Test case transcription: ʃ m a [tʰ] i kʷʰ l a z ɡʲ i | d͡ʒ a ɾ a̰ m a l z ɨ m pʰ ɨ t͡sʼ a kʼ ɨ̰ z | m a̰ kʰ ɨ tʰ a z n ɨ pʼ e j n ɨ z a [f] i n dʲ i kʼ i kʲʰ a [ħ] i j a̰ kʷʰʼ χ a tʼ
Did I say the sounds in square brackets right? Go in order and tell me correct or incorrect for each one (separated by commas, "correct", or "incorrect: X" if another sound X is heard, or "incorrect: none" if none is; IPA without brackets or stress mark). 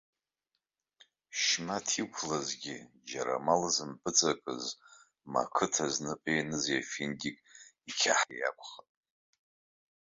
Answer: correct, correct, correct